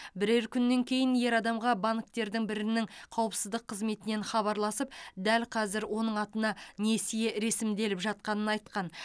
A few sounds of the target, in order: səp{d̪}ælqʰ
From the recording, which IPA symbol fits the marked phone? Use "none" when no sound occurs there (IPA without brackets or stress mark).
d̪